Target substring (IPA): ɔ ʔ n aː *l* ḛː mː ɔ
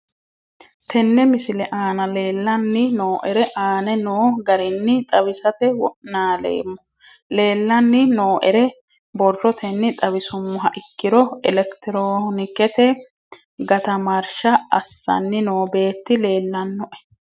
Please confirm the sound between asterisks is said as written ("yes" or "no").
yes